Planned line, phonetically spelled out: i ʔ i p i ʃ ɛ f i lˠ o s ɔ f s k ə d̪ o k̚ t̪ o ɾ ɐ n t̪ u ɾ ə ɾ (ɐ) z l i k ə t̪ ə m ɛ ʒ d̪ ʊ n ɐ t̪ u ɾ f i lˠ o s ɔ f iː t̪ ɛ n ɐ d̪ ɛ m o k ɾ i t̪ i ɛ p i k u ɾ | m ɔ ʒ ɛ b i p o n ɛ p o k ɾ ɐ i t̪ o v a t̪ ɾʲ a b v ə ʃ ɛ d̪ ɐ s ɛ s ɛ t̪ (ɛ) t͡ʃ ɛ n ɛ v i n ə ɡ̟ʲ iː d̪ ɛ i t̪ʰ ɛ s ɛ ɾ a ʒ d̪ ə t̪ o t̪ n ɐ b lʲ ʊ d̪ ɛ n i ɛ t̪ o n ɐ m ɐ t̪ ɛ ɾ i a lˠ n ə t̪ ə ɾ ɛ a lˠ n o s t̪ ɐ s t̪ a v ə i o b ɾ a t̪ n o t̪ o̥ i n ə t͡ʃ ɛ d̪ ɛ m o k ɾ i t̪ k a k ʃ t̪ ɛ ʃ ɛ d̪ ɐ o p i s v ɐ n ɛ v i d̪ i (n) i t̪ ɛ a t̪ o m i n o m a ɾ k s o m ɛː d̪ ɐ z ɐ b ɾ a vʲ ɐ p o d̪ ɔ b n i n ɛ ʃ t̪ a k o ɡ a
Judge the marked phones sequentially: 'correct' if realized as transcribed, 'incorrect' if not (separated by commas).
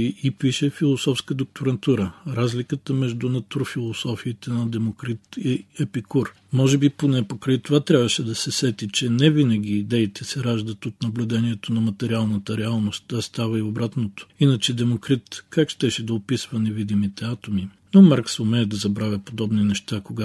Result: incorrect, incorrect, incorrect